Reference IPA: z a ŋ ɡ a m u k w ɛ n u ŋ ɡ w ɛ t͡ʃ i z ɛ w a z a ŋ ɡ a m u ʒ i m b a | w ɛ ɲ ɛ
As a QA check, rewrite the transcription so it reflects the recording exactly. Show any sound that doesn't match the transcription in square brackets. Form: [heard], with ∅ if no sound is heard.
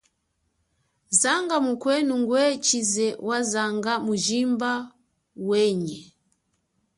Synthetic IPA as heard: z a ŋ ɡ a m u k w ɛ n u ŋ ɡ w ɛ t͡ʃ i z ɛ w a z a ŋ ɡ a m u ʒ i m b a | w ɛ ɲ ɛ